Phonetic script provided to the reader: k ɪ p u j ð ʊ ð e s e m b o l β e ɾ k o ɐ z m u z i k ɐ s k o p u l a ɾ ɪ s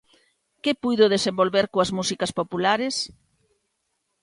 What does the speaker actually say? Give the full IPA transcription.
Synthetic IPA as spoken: k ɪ p u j ð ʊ ð e s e m b o l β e ɾ k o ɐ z m u s i k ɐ s p o p u l a ɾ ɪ s